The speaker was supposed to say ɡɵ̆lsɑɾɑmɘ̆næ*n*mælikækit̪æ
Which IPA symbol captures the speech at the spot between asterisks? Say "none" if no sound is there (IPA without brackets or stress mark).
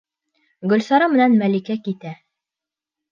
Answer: n